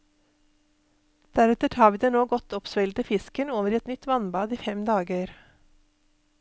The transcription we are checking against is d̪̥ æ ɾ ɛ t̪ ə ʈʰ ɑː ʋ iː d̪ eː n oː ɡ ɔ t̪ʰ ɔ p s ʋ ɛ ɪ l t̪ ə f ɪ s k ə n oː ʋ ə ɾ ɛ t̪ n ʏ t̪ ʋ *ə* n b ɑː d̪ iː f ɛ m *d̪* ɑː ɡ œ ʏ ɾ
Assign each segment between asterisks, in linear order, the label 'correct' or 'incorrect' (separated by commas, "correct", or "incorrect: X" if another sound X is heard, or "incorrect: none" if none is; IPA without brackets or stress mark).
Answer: incorrect: ɑ, correct